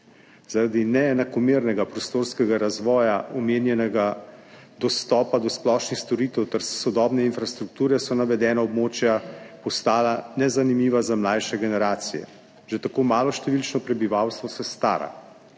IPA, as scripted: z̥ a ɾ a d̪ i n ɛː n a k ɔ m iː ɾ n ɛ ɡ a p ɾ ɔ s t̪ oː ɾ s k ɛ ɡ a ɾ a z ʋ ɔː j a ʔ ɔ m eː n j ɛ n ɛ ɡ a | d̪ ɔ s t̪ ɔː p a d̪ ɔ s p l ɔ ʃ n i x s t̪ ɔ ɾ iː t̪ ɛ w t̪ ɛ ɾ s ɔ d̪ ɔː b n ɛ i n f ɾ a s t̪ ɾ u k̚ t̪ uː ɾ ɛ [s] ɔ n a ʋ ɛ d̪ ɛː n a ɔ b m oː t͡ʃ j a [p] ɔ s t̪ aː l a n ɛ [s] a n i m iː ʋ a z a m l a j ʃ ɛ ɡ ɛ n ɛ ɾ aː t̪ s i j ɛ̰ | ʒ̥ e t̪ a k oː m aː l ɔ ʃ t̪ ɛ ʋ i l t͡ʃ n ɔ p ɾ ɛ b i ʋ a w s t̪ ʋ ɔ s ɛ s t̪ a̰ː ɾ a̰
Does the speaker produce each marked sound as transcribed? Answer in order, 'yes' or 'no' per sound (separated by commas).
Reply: yes, yes, no